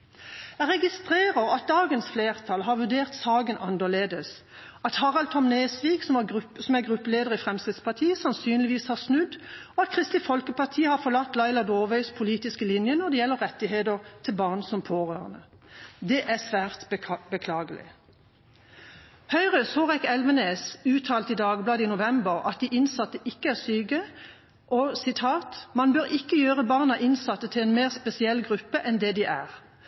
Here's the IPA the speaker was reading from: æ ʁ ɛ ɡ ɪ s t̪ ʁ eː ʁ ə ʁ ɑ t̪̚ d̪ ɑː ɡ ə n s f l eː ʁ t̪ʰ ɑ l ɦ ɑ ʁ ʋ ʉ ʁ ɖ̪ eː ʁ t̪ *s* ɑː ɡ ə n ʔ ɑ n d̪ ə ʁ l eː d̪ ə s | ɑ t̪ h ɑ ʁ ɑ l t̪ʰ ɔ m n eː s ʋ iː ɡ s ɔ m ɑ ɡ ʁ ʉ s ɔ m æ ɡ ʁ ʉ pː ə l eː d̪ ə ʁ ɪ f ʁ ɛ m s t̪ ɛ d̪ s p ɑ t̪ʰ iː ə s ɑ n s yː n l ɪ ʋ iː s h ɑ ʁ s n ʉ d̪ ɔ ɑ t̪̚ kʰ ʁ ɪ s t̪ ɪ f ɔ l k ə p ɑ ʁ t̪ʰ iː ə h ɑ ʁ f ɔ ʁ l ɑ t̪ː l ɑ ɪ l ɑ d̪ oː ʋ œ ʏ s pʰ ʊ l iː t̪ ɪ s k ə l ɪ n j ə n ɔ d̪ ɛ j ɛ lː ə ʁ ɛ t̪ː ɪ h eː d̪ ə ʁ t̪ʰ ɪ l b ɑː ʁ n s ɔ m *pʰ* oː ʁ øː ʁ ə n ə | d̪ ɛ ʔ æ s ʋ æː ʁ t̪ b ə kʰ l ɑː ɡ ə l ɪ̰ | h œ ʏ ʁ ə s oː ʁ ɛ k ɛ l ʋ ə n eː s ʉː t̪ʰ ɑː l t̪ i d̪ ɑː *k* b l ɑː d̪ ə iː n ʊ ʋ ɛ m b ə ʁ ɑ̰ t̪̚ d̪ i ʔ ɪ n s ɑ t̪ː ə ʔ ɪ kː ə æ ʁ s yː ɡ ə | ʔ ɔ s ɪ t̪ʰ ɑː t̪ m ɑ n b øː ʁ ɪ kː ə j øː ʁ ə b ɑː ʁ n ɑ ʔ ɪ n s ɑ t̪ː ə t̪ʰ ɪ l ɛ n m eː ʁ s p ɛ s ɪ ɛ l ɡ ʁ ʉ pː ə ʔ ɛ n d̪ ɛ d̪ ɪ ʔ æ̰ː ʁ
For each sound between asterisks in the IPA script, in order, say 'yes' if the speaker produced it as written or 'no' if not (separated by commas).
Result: yes, yes, no